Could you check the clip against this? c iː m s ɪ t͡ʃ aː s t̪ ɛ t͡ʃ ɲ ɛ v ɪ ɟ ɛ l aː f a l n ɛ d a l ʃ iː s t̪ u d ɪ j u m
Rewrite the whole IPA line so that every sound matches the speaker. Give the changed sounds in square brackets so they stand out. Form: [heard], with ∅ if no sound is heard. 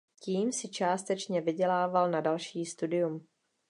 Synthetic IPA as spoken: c iː m s ɪ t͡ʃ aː s t̪ ɛ t͡ʃ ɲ ɛ v ɪ ɟ ɛ l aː [v] a l n [a] d a l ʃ iː s t̪ u d ɪ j u m